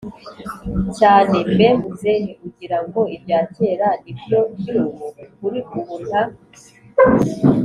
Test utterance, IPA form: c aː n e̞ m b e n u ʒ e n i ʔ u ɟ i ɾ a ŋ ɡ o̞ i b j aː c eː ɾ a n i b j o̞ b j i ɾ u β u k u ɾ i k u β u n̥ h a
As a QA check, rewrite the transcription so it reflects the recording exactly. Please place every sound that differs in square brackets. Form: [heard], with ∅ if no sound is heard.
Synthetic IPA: c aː n e̞ m b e [m] u [z] e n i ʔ u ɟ i ɾ a ŋ ɡ o̞ i b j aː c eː ɾ a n i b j o̞ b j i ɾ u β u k u ɾ i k u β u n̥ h a